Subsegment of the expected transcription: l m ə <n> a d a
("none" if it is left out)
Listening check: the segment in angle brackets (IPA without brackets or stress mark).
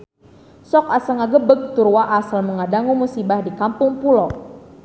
ŋ